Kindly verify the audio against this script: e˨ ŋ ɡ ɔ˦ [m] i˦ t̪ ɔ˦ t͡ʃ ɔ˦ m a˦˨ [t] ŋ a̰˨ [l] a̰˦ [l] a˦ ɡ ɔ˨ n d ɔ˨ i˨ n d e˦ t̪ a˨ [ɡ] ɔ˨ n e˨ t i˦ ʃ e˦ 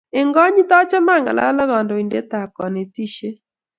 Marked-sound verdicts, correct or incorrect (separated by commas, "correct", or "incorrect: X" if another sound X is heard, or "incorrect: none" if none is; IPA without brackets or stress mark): incorrect: ɲ, incorrect: none, correct, correct, incorrect: k